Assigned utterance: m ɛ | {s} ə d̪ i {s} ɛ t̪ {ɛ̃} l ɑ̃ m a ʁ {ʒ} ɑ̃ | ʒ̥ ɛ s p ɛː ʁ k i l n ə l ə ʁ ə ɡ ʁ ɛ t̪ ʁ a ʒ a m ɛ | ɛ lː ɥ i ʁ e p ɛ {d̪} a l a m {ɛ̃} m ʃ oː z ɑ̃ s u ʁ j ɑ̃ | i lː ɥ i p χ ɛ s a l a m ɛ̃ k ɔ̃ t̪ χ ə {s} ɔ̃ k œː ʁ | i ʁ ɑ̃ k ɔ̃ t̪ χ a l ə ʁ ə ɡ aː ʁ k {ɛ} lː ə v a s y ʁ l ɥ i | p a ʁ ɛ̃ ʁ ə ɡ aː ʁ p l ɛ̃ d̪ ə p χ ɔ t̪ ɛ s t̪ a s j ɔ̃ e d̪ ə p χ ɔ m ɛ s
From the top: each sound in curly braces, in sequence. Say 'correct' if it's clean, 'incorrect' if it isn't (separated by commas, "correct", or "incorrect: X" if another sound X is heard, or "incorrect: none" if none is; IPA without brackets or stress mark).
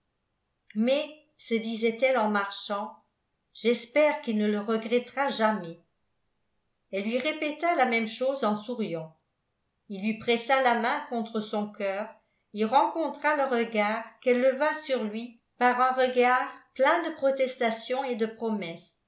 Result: correct, incorrect: z, incorrect: ɛ, incorrect: ʃ, incorrect: t̪, incorrect: ɛ, correct, correct